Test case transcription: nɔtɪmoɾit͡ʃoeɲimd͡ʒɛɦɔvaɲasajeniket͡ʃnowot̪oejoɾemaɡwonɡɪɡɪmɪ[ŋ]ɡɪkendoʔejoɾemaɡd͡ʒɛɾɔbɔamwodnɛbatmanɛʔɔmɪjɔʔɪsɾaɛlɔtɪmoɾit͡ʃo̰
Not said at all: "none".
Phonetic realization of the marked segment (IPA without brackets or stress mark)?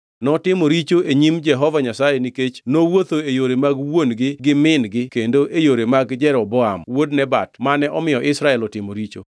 n